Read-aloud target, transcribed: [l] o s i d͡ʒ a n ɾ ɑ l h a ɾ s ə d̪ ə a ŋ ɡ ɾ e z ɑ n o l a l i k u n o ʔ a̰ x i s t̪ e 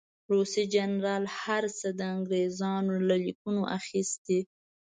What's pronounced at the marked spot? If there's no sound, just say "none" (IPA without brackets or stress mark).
ɾ